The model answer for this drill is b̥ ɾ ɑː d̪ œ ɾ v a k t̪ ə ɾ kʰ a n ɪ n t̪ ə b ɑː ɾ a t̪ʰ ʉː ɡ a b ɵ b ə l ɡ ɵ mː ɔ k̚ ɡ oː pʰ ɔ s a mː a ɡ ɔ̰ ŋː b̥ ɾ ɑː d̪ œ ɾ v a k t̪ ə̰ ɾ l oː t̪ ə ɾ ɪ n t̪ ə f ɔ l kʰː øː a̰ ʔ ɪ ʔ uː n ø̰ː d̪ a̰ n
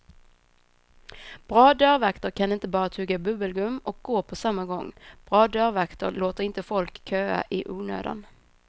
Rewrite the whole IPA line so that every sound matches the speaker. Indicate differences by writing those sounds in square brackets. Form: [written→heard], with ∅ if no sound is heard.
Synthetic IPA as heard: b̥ ɾ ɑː d̪ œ ɾ v a k t̪ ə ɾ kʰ a n ɪ n t̪ ə b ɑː ɾ a t̪ʰ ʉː ɡ a b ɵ b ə l ɡ ɵ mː ɔ k̚ ɡ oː pʰ ɔ s a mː a ɡ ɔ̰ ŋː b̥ ɾ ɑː d̪ œ ɾ v a k t̪ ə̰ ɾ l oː t̪ ə ɾ ɪ n t̪ ə f ɔ l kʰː øː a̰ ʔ ɪ ʔ uː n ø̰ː d̪ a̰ n